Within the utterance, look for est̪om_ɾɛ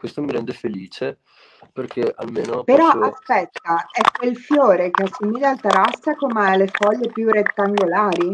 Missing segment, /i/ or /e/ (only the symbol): i